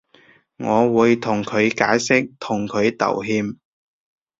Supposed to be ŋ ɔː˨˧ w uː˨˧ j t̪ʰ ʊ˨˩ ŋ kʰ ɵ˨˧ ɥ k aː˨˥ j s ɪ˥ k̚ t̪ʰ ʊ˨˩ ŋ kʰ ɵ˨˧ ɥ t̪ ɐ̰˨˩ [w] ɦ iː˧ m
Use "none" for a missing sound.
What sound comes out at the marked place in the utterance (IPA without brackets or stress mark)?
w